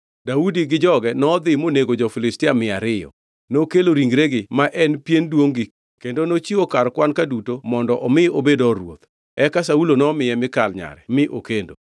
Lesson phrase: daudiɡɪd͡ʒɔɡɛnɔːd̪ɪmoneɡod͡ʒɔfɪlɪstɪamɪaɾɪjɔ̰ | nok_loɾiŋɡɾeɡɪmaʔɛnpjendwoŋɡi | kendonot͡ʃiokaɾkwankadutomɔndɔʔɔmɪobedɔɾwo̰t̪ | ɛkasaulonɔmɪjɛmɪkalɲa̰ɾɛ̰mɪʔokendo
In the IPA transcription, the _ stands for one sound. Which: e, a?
e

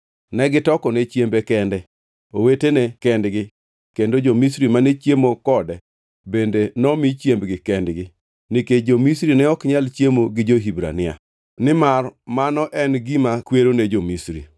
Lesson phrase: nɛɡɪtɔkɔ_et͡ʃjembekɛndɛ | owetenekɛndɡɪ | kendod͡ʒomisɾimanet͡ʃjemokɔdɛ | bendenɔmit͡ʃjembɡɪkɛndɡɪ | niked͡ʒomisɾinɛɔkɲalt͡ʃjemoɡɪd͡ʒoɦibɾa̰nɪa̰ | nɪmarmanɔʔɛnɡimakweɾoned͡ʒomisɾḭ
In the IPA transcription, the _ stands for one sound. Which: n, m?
n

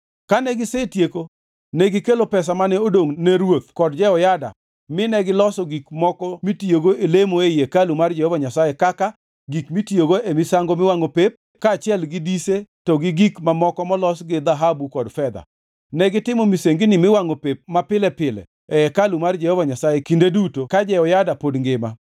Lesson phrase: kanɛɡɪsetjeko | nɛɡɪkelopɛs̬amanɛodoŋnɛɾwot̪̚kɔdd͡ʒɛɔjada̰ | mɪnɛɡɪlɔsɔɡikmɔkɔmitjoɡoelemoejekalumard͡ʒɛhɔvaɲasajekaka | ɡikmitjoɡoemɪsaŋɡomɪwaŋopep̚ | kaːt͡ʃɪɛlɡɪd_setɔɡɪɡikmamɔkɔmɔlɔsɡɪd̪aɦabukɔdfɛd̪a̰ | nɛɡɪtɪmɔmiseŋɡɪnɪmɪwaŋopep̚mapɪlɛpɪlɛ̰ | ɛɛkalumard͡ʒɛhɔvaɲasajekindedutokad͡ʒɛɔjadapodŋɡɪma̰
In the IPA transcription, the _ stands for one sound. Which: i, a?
i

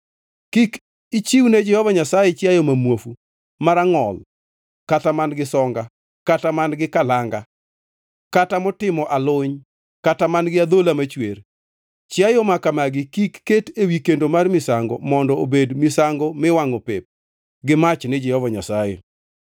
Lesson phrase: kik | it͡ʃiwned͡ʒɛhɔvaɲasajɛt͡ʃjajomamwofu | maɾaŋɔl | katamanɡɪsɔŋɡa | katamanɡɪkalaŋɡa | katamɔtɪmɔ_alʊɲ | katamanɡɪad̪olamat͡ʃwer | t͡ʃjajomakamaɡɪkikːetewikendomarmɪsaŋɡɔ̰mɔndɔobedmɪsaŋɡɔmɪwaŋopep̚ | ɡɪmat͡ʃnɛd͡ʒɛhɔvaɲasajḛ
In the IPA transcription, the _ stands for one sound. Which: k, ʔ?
ʔ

